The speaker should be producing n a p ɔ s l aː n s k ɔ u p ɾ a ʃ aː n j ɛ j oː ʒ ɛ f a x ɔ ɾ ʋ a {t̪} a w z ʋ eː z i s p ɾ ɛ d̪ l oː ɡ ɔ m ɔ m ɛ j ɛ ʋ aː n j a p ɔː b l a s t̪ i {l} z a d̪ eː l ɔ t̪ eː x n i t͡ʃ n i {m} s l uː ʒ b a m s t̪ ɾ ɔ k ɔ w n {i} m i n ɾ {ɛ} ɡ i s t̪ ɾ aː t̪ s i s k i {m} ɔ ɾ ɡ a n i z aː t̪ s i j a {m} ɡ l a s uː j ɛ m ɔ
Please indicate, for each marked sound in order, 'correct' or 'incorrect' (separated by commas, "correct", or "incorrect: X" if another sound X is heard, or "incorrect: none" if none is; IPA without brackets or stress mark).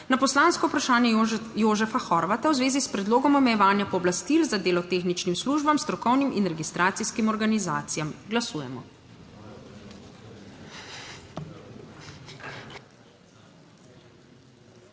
correct, correct, correct, correct, correct, correct, correct